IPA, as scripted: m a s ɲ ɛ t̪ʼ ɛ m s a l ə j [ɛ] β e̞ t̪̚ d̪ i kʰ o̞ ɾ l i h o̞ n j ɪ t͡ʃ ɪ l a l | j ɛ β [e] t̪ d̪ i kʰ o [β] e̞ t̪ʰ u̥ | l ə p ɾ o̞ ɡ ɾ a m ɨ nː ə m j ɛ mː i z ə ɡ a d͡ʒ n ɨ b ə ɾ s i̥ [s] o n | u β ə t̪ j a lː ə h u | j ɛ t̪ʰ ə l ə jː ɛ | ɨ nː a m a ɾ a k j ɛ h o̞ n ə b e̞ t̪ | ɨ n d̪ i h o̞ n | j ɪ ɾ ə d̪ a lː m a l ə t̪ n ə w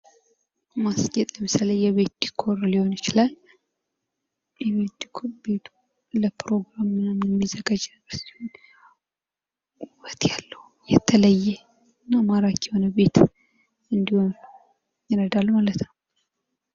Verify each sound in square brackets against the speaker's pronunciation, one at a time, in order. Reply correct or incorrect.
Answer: correct, correct, incorrect, incorrect

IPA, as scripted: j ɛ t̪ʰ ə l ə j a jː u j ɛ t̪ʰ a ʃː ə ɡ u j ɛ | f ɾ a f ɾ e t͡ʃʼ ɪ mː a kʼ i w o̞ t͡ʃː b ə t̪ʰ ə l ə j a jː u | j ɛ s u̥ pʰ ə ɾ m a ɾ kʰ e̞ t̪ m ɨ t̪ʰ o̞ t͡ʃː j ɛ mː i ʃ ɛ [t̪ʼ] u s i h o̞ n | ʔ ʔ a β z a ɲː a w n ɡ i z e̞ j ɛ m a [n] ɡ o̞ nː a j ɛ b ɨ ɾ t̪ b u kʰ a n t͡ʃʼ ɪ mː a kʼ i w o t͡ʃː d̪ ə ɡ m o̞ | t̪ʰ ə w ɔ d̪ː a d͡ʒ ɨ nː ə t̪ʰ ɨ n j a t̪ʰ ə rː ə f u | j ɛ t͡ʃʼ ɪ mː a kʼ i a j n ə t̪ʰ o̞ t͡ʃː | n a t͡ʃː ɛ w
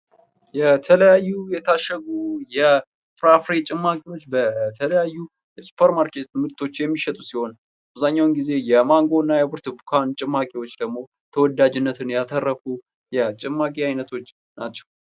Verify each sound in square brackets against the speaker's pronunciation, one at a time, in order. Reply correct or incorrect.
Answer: correct, incorrect

